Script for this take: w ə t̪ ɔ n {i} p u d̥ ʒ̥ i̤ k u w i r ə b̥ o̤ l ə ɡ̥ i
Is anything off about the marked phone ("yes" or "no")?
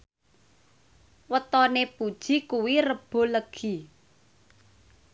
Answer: yes